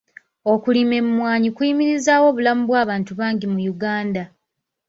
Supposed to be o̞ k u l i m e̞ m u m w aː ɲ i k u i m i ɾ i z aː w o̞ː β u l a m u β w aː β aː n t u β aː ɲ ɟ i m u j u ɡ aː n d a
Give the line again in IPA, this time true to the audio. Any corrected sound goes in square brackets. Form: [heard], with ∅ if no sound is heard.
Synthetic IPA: o̞ k u l i m e̞ m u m w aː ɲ i k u i m i ɾ i z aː w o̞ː β u l a m u β w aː β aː n t u β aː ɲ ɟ i m u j u ɡ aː n d a